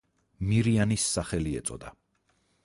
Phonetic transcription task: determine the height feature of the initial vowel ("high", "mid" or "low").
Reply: high